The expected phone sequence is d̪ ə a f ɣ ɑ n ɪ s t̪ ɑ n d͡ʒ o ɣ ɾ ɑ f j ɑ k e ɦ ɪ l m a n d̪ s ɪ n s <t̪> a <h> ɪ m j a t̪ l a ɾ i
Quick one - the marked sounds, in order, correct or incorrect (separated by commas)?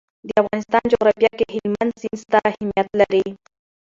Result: correct, correct